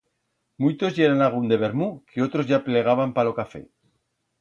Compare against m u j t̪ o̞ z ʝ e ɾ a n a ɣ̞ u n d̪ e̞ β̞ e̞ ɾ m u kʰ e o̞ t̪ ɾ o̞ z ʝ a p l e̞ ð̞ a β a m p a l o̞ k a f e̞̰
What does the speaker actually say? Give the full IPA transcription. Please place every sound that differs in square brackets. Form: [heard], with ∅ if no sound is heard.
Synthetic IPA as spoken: m u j t̪ o̞ z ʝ e ɾ a n a ɣ̞ u n d̪ e̞ β̞ e̞ ɾ m u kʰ e o̞ t̪ ɾ o̞ z ʝ a p l e̞ [ɣ̞] a β a m p a l o̞ k a f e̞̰